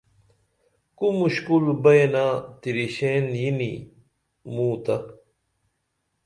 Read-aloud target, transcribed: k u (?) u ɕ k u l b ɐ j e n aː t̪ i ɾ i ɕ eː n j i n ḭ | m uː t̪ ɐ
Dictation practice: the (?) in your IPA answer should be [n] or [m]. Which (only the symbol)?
m